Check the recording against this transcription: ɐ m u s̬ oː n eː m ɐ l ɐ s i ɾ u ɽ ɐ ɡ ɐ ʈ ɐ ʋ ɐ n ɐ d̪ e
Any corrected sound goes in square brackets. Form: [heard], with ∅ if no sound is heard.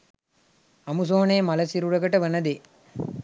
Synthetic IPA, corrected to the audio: ɐ m u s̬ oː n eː m ɐ l ɐ s i ɾ u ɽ ɐ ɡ ɐ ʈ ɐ ʋ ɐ n ɐ d̪ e